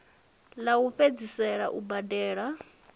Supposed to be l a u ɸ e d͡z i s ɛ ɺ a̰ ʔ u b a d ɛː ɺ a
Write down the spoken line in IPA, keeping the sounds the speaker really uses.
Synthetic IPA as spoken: l a u ɸ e d͡z i s ɛ ɺ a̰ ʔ u b a d ɛː ɺ a